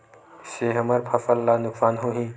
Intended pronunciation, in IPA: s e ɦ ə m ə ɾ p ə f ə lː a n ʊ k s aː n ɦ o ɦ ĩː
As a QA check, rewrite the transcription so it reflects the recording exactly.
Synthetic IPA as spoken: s e ɦ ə m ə ɾ pʰ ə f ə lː a n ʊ k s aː n ɦ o ɦ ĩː